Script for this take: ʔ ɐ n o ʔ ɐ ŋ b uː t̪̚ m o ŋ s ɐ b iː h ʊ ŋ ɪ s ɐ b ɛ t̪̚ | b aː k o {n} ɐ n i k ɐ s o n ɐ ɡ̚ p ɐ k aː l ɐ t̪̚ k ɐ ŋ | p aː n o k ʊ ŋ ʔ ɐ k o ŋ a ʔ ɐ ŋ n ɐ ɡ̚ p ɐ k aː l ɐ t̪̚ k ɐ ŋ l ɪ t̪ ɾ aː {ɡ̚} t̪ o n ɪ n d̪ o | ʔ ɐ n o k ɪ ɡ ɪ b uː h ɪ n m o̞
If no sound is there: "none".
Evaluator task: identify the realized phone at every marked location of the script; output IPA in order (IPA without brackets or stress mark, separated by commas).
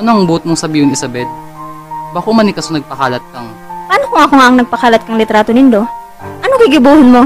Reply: m, none